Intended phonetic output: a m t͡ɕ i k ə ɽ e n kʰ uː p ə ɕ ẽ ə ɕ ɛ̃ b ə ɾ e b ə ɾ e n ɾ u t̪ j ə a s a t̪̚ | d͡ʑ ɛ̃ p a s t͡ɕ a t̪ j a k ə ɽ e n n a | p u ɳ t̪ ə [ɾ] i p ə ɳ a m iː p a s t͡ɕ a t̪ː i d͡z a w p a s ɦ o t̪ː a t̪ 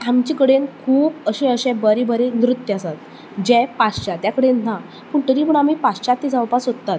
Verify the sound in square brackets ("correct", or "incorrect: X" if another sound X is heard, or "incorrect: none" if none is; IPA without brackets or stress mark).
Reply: correct